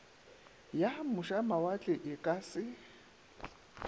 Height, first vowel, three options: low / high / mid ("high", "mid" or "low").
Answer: low